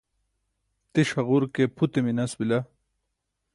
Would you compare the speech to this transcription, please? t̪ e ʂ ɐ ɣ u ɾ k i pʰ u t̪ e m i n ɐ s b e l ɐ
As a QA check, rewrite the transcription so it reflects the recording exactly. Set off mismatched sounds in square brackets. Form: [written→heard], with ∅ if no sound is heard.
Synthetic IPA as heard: t̪ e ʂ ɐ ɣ u ɾ k [i→e] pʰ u t̪ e m i n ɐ s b [e→i] l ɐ